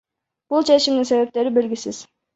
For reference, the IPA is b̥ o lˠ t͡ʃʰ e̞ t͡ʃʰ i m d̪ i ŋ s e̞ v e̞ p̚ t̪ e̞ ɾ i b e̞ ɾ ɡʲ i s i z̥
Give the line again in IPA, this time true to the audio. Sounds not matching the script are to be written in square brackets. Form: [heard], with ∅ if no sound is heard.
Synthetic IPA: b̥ [u] lˠ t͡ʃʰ e̞ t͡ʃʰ i m d̪ i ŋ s e̞ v e̞ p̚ t̪ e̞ ɾ i b e̞ [l] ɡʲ i s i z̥